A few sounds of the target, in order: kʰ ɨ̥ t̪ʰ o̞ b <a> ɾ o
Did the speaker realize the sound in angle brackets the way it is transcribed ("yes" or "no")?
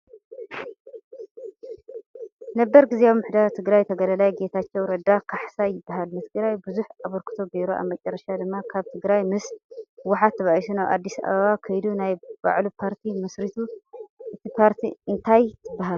no